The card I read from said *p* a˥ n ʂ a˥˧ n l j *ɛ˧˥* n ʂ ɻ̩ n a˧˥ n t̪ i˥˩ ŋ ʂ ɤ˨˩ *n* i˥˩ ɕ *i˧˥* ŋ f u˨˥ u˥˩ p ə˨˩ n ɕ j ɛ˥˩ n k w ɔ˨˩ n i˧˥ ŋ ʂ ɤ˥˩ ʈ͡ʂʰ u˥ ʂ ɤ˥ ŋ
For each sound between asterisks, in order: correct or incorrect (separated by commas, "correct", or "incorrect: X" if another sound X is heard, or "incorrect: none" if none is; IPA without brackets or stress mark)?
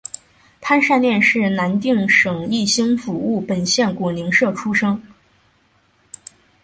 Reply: incorrect: pʰ, incorrect: ɛ˥˧, incorrect: ŋ, incorrect: i˥